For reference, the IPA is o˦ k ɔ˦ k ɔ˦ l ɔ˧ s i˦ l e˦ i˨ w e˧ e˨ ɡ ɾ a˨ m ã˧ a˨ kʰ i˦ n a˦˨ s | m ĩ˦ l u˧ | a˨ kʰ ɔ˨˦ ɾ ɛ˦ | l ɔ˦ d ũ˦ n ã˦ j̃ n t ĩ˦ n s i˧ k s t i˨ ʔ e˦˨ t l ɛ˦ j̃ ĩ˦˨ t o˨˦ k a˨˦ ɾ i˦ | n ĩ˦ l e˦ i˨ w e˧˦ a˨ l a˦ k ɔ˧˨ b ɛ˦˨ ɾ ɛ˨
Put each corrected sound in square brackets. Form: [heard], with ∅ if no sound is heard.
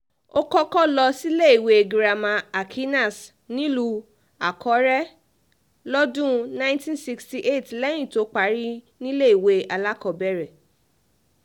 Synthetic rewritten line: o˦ k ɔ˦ k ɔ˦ l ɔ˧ s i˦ l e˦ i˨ w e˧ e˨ ɡ ɾ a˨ m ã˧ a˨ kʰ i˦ n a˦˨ s | [n] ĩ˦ l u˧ | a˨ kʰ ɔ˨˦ ɾ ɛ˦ | l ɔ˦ d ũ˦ n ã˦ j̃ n t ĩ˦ n s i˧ k s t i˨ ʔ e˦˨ t l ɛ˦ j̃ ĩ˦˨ t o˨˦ [k͡p] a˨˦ ɾ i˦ | n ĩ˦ l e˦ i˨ w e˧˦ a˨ l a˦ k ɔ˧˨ b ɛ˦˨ ɾ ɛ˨